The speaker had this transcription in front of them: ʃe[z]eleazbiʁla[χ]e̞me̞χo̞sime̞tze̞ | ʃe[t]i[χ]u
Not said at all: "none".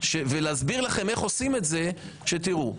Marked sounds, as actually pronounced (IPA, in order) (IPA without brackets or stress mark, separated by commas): v, χ, t, ʁ